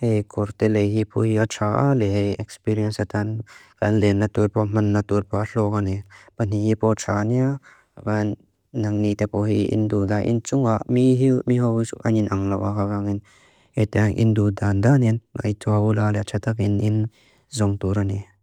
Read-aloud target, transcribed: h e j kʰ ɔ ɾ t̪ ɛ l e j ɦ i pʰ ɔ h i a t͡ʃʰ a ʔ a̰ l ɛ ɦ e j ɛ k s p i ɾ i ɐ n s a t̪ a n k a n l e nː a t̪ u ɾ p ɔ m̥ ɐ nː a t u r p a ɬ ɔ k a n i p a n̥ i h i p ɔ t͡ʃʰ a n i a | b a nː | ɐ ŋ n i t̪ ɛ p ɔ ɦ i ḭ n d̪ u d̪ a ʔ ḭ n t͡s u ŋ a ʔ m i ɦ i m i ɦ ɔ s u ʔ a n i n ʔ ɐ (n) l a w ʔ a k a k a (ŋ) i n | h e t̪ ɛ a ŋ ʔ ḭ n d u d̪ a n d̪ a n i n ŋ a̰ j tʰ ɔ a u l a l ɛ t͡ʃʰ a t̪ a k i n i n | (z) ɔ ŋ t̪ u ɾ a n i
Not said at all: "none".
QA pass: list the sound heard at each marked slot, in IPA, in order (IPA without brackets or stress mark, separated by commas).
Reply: ŋ, ŋ, z